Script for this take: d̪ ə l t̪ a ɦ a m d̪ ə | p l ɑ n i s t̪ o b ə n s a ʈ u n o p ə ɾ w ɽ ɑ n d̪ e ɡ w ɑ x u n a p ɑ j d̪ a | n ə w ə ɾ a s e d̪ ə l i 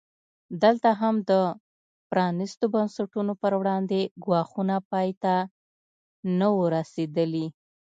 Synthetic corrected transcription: d̪ ə l t̪ a ɦ a m d̪ ə | p ɾ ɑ n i s t̪ o b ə n s a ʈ u n o p ə ɾ w ɽ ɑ n d̪ e ɡ w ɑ x u n a p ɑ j t̪ a | n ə w ə ɾ a s e d̪ ə l i